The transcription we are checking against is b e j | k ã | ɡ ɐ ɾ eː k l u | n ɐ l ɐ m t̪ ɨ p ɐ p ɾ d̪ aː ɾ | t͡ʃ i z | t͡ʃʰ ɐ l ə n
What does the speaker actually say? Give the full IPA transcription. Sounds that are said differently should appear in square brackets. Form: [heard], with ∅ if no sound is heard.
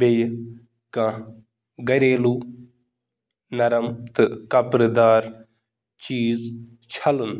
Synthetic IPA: b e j | k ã | ɡ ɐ ɾ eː [∅] l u | n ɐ [ɾ] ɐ m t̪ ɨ [k] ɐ p ɾ d̪ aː ɾ | t͡ʃ [iː] z | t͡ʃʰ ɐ l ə n